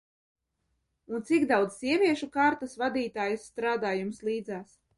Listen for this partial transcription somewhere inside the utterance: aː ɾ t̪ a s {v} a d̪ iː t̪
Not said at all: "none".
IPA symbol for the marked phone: v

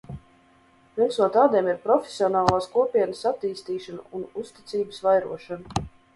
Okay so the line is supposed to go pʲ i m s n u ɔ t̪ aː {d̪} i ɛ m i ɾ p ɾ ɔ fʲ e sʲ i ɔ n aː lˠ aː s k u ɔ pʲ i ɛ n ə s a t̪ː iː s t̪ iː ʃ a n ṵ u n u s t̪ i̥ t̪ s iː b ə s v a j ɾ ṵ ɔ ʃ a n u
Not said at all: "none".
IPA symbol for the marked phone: d̪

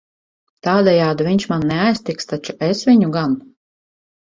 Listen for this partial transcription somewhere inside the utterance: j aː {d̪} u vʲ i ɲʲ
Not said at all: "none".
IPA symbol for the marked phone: d̪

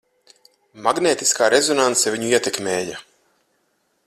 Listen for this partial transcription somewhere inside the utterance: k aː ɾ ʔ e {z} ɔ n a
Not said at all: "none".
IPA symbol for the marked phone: z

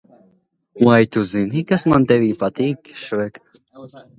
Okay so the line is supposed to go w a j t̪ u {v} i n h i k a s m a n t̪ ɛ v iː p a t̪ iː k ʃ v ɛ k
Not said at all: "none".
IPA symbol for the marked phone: z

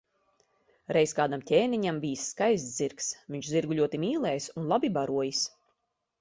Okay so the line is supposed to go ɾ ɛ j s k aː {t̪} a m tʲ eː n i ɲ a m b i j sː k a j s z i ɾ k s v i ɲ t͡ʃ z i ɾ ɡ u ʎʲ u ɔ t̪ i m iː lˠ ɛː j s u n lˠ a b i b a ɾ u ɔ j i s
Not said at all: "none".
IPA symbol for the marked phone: d̪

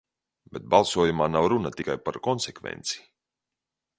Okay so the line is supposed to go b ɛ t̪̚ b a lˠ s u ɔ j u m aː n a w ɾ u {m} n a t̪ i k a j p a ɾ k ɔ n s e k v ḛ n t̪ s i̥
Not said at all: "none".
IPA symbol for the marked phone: none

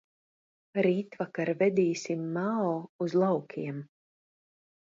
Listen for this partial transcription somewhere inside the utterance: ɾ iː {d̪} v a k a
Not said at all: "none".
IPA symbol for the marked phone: t̪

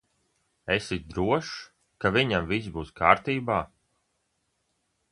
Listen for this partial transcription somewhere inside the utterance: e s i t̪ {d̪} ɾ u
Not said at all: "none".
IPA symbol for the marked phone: d̪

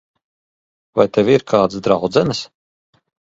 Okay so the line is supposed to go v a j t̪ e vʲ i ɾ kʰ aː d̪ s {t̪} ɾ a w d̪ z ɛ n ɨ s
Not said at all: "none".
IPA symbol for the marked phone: d̪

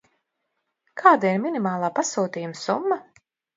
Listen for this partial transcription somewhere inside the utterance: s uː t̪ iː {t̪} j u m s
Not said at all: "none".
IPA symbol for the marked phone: none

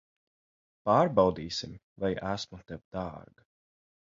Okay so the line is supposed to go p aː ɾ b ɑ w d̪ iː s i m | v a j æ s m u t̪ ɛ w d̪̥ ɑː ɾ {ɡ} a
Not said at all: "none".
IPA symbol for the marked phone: ɡ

